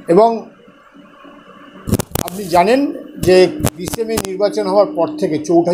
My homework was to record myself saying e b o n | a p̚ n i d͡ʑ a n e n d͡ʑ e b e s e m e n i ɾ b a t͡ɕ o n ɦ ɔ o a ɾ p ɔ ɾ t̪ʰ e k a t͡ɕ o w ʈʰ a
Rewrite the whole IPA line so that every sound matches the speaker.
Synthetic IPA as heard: e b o ŋ | a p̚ n i d͡ʑ a n e n d͡ʑ e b i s e m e n i ɾ b a t͡ɕ o n ɦ ɔ o a ɾ p ɔ ɾ t̪ʰ e k e t͡ɕ o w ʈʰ a